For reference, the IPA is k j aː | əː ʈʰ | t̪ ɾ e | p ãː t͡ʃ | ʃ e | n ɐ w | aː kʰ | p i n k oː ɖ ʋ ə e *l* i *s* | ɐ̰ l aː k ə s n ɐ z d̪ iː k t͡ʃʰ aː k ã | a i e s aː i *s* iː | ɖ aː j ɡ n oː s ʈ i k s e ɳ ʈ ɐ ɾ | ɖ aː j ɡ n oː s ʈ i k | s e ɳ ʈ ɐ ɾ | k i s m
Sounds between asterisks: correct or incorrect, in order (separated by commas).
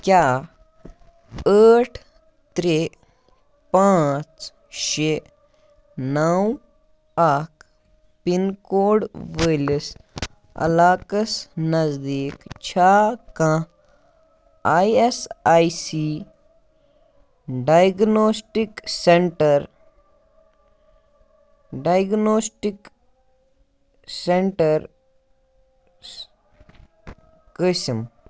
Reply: correct, correct, correct